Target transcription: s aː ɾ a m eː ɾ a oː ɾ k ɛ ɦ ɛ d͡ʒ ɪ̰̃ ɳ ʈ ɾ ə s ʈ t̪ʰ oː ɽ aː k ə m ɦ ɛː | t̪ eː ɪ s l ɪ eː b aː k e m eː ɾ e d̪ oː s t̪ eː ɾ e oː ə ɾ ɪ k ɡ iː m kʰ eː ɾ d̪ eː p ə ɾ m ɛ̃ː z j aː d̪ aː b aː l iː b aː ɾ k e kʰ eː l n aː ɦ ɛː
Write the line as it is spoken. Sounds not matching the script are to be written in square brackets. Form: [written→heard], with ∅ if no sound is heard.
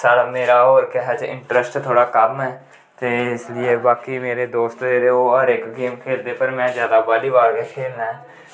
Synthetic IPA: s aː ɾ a m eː ɾ a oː ɾ k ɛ ɦ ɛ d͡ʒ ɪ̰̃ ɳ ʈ ɾ ə s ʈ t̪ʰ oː ɽ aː k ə m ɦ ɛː | t̪ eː ɪ s l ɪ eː b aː k [e→i] m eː ɾ e d̪ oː s t̪ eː ɾ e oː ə ɾ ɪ k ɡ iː m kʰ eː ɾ d̪ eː p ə ɾ m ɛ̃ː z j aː d̪ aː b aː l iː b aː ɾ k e kʰ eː l n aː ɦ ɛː